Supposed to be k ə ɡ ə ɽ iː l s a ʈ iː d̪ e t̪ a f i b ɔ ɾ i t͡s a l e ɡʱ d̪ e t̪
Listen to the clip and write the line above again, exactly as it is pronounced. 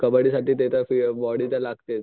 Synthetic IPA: k ə b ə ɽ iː s a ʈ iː t̪ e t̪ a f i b ɔ ɽ i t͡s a l a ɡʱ t̪ e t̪